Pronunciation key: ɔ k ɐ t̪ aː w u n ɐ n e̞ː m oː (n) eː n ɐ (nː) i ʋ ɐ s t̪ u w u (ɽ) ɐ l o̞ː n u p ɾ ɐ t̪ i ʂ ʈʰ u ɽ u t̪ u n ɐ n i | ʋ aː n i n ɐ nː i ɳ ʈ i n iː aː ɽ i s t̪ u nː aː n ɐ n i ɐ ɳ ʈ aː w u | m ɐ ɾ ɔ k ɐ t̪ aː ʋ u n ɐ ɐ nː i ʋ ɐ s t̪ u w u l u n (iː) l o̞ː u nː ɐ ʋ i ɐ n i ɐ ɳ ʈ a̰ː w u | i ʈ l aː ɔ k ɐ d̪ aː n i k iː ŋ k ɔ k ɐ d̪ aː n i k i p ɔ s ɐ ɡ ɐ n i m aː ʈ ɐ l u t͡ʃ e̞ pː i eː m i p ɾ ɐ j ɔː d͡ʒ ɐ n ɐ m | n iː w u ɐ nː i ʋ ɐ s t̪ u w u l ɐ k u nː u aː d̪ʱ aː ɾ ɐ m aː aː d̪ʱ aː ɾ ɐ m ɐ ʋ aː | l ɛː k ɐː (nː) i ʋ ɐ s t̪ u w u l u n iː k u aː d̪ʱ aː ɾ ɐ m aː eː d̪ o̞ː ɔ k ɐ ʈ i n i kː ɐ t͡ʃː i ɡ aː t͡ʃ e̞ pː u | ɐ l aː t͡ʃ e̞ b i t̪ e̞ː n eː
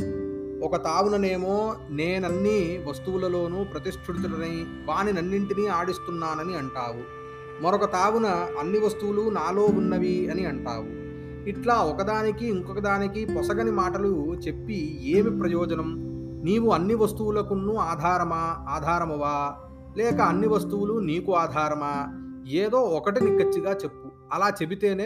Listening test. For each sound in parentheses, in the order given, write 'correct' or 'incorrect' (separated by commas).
correct, correct, incorrect, incorrect, correct